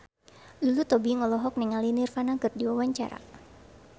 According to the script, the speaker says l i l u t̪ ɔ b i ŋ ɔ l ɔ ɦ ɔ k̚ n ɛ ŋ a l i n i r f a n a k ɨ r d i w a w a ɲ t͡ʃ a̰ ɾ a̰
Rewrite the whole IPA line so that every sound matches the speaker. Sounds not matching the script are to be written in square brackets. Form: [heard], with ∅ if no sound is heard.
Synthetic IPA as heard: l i l u t̪ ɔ b i ŋ ɔ l ɔ ɦ ɔ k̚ n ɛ ŋ a l i n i r f a n a k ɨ r d i w a w a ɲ t͡ʃ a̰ ɾ a̰